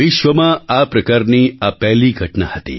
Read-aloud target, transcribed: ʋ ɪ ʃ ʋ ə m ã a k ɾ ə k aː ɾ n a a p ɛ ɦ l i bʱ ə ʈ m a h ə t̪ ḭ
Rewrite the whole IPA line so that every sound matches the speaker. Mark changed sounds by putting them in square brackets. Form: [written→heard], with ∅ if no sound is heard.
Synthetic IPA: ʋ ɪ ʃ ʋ ə m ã a [k→p] ɾ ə k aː ɾ n [a→i] a p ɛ ɦ l i [bʱ→ɡʱ] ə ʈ [m→n] a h ə t̪ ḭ